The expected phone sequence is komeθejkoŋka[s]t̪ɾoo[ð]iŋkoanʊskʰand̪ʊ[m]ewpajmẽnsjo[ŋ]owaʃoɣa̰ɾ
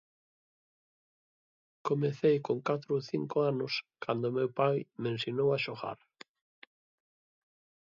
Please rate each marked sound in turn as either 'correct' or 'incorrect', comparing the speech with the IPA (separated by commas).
incorrect, incorrect, correct, incorrect